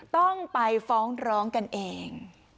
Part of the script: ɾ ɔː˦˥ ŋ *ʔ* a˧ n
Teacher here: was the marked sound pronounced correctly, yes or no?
no